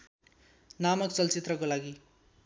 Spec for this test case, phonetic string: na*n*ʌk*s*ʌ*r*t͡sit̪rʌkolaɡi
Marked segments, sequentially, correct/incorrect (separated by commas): incorrect, incorrect, incorrect